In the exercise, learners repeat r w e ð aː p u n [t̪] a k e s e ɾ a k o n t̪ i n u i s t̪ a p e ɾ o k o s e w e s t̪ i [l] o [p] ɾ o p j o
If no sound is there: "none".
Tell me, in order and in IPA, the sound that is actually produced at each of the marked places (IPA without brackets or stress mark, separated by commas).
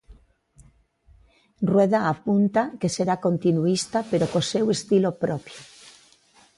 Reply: t̪, l, p